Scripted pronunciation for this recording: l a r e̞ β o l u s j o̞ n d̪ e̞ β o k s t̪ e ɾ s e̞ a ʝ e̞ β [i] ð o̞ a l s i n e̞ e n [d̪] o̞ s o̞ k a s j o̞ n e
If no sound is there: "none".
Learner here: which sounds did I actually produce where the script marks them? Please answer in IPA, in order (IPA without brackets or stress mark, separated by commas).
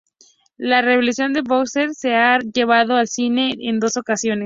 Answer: a, d̪